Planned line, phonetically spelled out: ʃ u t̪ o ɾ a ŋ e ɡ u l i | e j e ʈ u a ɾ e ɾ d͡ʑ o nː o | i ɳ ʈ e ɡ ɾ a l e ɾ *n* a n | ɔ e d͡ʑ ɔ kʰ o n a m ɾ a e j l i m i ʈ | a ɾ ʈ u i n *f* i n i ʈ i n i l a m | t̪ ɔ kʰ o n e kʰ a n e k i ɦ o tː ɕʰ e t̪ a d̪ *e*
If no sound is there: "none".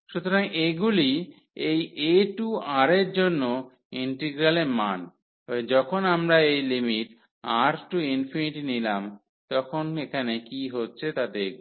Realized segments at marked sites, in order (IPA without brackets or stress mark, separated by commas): m, f, e